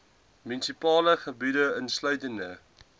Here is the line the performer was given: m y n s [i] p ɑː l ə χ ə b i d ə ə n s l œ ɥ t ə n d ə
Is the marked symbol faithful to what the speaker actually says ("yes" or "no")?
yes